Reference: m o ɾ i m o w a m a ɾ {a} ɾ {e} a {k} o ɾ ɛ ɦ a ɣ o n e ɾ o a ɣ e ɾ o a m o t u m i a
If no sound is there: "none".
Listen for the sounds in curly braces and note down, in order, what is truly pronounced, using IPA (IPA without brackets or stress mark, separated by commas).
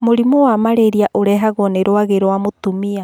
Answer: e, i, ʔ